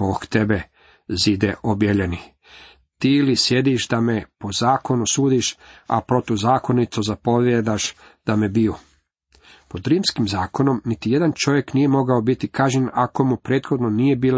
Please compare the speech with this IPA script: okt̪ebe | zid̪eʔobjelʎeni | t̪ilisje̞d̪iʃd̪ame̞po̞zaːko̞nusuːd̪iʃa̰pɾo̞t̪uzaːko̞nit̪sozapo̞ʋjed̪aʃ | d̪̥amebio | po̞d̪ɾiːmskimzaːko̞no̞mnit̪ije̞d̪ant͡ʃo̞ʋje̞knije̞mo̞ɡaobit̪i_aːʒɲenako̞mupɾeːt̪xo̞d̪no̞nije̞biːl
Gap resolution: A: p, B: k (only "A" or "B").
B